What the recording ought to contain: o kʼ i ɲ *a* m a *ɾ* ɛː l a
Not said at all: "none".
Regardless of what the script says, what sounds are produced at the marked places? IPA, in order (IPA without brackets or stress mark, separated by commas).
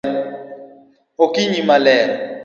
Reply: i, l